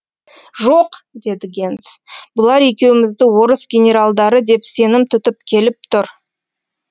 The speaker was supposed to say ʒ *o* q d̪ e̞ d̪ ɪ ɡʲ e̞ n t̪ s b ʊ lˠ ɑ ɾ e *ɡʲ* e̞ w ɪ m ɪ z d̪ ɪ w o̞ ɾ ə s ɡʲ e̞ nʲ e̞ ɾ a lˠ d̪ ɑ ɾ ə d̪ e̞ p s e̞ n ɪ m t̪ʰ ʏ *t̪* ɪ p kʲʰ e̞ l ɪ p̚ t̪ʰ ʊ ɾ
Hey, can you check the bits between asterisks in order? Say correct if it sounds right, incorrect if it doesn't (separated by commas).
correct, incorrect, correct